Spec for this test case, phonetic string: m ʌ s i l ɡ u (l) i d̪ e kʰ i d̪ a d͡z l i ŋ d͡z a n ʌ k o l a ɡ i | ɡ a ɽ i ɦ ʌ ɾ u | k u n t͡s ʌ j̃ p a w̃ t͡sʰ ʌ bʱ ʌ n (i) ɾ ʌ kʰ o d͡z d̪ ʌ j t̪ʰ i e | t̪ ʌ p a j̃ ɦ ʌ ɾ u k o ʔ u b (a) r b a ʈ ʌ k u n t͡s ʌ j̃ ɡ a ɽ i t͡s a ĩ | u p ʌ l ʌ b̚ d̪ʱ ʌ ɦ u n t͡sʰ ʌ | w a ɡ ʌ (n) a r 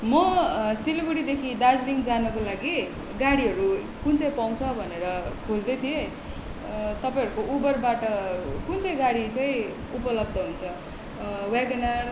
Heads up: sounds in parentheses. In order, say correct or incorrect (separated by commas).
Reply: incorrect, incorrect, incorrect, correct